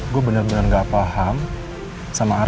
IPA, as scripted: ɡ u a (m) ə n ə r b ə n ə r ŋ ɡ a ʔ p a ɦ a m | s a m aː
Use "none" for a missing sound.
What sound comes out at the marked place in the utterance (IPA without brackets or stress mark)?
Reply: b